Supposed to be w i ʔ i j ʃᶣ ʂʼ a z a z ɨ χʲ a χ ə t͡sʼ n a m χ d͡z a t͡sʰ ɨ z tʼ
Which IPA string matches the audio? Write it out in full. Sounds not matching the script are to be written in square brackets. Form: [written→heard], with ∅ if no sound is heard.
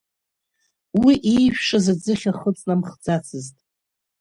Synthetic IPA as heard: w i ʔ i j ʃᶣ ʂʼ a z a [z→d͡z] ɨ χʲ a χ ə t͡sʼ n a m χ d͡z a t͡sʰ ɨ z tʼ